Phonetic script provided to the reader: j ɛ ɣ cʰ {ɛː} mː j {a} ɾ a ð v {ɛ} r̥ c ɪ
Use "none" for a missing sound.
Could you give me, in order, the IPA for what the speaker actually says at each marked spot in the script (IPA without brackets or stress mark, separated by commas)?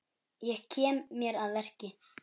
ɛː, ɛ, ɛ